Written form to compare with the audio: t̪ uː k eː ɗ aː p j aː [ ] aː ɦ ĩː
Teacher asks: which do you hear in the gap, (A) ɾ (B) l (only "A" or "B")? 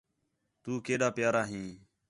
A